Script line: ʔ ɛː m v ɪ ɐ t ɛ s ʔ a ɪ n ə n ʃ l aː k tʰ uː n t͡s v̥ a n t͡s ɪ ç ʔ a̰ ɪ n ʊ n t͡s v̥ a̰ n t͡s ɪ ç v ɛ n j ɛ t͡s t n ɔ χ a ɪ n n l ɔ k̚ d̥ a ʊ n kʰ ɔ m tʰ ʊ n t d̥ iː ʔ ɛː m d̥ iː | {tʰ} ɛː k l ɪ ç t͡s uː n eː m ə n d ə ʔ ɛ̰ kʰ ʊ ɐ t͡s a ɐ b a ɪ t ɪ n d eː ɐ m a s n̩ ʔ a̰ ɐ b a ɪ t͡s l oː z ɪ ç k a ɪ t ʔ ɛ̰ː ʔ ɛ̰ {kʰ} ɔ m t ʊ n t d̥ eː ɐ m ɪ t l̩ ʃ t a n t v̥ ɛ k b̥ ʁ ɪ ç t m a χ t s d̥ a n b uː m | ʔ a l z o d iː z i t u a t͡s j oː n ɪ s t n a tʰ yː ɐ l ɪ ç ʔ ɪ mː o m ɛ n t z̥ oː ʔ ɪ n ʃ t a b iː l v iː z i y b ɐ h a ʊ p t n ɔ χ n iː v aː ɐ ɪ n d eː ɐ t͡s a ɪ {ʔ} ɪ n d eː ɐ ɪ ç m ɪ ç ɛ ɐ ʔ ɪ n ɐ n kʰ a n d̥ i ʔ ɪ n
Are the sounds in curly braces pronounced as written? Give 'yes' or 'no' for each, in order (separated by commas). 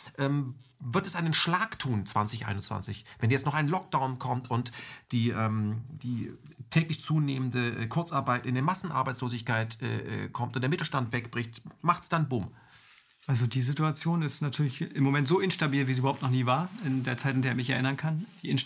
yes, yes, no